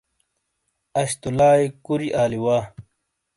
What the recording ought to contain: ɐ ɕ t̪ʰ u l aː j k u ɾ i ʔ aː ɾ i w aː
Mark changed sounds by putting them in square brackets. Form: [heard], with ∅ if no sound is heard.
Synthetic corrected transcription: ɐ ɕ [t̪] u l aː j k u ɾ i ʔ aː [l] i w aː